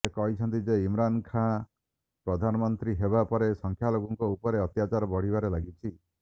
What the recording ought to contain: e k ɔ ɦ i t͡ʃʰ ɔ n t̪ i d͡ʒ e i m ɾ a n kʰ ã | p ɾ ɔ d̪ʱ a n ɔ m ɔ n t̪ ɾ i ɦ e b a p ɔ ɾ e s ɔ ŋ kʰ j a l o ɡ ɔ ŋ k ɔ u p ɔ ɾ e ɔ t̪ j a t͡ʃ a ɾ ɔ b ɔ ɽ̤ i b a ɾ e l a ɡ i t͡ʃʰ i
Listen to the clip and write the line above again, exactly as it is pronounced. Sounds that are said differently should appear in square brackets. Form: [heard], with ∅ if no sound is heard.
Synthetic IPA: e k ɔ ɦ i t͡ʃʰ ɔ n t̪ i d͡ʒ e i m ɾ a n kʰ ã | p ɾ ɔ d̪ʱ a n ɔ m ɔ n t̪ ɾ i ɦ e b a p ɔ ɾ e s ɔ ŋ kʰ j a l o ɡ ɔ ŋ k ɔ u p ɔ ɾ e ɔ t̪ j a t͡ʃ a ɾ ɔ b ɔ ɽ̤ i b a ɾ e l a ɡ i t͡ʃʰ i